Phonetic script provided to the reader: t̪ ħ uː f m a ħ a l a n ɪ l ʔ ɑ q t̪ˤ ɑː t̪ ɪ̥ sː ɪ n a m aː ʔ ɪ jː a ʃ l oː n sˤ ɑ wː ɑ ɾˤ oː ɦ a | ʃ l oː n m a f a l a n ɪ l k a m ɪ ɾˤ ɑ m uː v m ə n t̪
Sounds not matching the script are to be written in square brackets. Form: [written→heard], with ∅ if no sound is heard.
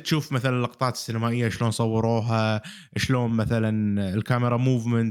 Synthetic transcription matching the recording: t̪ [ħ→ʃ] uː f m a [ħ→θ] a l a n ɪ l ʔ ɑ q t̪ˤ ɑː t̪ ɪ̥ sː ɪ n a m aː ʔ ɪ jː a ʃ l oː n sˤ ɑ wː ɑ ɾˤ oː ɦ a | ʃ l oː n m a [f→θ] a l a n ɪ l k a m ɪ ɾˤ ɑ m uː v m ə n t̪